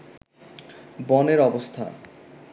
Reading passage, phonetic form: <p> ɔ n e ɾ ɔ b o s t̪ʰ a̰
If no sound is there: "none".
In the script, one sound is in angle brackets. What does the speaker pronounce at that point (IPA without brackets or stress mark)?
b